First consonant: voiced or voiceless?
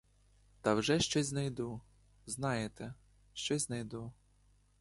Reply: voiceless